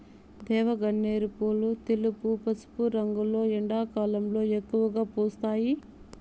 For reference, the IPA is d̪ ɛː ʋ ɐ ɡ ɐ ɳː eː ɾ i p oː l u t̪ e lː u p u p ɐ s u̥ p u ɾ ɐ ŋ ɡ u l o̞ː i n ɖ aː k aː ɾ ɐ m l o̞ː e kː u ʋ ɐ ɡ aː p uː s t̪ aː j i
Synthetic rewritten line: d̪ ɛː ʋ ɐ ɡ ɐ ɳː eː ɾ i p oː l u t̪ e l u p u p ɐ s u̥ p u ɾ ɐ ŋ ɡ u l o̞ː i ɳ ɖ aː k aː l ɐ m l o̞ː e kː u ʋ ɐ ɡ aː p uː s t̪ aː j i